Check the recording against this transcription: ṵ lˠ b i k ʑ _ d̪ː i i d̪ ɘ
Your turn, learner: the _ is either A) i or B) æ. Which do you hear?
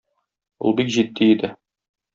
A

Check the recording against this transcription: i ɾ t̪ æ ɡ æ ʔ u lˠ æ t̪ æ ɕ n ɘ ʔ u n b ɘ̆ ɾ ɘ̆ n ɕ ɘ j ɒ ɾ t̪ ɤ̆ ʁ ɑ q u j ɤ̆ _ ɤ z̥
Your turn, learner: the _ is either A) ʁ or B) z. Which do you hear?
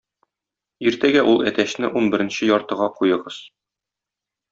A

